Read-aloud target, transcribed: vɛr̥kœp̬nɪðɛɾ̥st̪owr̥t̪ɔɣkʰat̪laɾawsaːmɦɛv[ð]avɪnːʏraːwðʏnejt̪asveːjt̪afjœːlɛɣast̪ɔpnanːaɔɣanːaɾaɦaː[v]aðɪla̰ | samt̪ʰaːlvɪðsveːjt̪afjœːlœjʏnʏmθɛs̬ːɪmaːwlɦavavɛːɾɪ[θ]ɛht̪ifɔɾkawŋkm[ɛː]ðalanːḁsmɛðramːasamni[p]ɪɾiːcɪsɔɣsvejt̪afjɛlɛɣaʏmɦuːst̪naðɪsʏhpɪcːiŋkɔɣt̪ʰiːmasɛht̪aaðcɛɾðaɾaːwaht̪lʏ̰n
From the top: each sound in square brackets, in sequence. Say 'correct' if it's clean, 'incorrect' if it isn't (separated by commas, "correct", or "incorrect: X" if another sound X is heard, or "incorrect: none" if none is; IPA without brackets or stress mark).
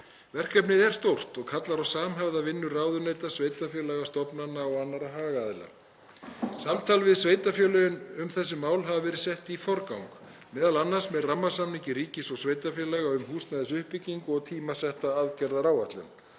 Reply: correct, incorrect: ɣ, incorrect: s, correct, incorrect: c